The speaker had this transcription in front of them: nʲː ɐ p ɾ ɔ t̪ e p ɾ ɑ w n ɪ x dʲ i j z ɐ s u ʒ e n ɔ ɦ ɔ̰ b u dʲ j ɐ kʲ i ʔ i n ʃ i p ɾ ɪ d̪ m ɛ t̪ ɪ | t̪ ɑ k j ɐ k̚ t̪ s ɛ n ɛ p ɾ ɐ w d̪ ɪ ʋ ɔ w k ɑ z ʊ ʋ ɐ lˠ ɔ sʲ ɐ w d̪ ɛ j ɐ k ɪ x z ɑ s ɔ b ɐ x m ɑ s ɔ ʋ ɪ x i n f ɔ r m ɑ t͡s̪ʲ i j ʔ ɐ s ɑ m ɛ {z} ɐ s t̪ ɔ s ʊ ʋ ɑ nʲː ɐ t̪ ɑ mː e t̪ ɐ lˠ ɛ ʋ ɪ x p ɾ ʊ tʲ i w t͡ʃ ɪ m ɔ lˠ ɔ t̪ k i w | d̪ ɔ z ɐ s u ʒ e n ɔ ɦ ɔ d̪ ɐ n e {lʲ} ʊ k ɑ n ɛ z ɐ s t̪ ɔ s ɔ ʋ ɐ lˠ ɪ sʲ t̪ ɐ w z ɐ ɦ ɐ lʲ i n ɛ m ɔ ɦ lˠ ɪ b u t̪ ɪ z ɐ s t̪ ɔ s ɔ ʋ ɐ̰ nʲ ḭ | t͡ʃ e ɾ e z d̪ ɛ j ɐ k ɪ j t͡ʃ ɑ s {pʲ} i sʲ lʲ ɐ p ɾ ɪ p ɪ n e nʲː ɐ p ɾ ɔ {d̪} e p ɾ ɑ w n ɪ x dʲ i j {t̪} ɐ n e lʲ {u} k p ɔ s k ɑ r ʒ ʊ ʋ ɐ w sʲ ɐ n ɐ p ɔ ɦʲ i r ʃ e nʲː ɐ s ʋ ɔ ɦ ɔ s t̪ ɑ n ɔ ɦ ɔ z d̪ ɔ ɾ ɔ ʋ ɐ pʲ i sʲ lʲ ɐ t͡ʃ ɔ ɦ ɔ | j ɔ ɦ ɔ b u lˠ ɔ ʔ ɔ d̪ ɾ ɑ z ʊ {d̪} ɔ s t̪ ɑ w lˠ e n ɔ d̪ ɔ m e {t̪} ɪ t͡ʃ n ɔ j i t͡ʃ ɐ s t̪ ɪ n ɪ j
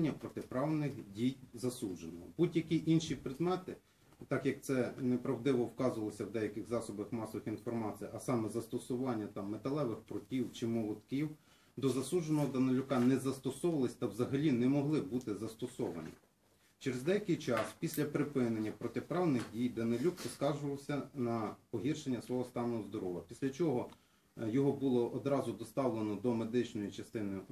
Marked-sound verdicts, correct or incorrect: correct, correct, correct, incorrect, incorrect, correct, correct, incorrect

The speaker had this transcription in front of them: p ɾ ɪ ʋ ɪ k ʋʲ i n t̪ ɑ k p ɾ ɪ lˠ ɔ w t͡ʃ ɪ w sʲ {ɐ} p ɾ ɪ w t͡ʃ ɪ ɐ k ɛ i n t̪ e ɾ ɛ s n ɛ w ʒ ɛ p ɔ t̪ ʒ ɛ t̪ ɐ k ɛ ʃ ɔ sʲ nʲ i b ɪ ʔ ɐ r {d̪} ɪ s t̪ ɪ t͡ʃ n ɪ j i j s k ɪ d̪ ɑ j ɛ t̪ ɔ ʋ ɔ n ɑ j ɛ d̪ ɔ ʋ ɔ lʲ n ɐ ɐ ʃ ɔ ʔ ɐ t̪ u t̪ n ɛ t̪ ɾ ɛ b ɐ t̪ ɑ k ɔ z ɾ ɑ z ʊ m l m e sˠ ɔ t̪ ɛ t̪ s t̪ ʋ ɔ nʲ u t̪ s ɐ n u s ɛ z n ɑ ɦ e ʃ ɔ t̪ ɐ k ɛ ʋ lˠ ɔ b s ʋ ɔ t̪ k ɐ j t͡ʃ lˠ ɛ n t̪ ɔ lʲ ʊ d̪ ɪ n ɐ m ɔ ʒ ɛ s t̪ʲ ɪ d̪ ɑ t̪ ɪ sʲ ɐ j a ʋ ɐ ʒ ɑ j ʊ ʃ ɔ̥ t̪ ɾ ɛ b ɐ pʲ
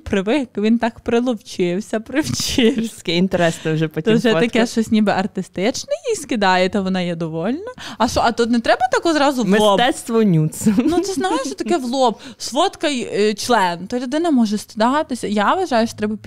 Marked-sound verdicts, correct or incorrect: correct, incorrect

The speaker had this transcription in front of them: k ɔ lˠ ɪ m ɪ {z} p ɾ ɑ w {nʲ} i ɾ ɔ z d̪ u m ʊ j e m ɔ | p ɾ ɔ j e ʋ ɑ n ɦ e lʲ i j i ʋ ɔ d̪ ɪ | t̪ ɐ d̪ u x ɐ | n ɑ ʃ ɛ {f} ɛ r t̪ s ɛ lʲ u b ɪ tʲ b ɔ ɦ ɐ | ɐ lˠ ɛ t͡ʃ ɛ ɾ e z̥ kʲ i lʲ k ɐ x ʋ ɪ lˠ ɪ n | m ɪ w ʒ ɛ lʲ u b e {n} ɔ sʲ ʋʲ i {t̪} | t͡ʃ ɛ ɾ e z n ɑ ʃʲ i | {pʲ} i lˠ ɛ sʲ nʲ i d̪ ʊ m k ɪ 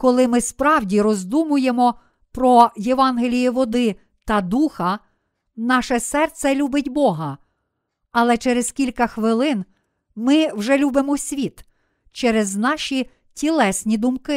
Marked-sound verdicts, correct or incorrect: incorrect, incorrect, incorrect, incorrect, correct, incorrect

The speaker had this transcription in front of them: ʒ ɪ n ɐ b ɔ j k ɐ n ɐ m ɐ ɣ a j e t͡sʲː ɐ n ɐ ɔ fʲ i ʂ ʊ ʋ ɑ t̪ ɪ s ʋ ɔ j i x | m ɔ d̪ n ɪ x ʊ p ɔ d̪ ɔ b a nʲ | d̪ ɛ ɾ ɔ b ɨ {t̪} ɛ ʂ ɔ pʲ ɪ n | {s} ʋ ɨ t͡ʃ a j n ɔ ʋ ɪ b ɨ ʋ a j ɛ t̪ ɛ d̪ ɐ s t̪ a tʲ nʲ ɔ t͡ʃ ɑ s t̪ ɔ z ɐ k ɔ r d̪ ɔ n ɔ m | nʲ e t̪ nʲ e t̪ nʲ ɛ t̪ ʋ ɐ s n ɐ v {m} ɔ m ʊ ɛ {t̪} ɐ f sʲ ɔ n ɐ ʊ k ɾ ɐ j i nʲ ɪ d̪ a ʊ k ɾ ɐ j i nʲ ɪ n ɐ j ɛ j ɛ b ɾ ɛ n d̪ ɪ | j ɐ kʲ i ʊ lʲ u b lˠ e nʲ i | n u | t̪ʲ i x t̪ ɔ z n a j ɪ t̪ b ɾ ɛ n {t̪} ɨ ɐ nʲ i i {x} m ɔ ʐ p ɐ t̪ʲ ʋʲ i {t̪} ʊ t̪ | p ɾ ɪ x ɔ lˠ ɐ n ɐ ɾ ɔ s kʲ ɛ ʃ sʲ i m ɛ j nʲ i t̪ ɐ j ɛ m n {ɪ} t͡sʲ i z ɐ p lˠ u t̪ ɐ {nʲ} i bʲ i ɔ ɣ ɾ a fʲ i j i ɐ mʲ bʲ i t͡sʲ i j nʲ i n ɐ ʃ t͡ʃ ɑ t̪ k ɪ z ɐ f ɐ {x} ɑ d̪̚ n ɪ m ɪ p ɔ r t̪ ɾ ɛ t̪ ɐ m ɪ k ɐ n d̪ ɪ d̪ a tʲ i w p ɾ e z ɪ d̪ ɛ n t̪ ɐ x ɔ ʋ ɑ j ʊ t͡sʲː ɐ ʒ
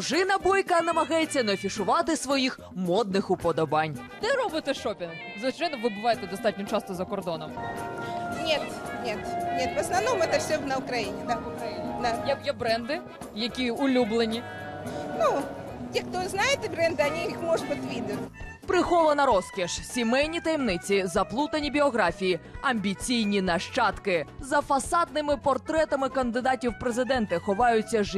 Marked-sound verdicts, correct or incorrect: correct, incorrect, incorrect, correct, incorrect, correct, incorrect, correct, correct, incorrect

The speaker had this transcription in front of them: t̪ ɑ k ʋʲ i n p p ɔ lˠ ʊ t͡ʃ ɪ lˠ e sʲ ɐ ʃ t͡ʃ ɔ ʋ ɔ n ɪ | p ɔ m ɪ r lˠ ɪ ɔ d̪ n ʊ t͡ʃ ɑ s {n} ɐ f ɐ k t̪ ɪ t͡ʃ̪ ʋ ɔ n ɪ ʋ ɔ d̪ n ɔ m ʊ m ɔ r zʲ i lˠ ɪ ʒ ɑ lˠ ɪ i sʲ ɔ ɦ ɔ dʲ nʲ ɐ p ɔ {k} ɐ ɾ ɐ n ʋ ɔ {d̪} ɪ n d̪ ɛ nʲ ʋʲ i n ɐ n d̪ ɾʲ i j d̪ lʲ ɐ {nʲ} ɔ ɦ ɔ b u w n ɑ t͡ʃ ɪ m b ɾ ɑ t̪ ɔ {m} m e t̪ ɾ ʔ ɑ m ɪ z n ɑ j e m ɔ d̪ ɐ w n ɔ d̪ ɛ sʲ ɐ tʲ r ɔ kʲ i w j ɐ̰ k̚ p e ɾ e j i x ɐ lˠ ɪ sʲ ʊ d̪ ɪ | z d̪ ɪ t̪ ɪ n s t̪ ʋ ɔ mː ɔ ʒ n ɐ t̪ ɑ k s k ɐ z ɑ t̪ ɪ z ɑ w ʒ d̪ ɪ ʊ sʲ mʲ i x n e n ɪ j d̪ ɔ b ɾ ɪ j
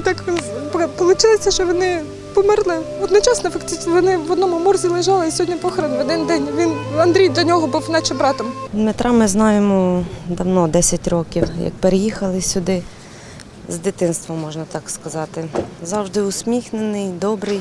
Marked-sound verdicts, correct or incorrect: correct, incorrect, correct, correct, correct

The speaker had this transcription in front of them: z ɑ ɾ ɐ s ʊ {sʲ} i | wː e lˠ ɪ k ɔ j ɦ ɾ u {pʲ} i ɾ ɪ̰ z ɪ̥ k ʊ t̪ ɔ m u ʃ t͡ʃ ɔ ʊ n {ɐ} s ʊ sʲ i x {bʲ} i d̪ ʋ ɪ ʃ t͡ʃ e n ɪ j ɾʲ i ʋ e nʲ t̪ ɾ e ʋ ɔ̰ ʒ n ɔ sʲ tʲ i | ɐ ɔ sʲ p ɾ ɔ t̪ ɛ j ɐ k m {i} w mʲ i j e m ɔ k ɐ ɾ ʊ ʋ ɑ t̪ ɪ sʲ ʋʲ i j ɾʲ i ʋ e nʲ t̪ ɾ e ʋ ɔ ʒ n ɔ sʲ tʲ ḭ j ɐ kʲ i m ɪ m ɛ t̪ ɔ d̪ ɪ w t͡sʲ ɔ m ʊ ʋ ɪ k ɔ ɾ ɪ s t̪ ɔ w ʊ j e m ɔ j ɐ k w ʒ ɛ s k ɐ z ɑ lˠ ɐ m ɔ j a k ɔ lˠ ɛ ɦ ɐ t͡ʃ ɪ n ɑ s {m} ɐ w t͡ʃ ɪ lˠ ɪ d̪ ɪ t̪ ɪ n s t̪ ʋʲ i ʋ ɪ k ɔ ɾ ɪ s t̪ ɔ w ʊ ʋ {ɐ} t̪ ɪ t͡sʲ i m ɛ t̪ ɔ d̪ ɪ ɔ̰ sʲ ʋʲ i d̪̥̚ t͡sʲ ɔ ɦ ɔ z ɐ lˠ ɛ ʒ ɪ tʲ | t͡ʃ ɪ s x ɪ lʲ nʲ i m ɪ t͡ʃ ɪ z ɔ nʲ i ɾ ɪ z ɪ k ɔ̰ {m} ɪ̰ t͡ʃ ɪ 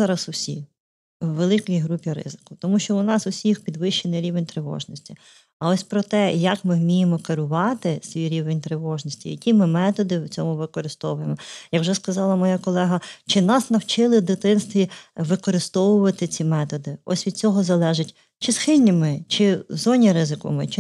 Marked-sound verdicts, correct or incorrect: correct, correct, incorrect, incorrect, incorrect, incorrect, correct, correct

